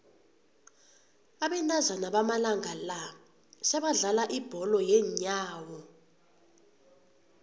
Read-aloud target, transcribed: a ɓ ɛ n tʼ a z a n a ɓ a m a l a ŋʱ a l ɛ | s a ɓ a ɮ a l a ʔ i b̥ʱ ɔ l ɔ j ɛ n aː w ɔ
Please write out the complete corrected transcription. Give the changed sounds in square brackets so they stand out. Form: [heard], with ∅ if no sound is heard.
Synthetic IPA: a ɓ ɛ n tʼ a z a n a ɓ a m a l a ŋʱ a l [a] | s [ɛ] ɓ a ɮ a l a ʔ i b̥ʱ ɔ l ɔ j ɛ [ɲ] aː w ɔ